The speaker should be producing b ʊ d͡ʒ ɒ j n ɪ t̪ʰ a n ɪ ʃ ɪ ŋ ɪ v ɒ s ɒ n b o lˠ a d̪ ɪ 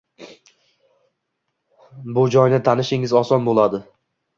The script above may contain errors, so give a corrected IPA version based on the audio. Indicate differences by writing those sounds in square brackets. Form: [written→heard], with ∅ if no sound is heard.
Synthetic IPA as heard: b ʊ d͡ʒ ɒ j n ɪ t̪ʰ a n ɪ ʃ ɪ ŋ ɪ [v→z] ɒ s ɒ n b o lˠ a d̪ ɪ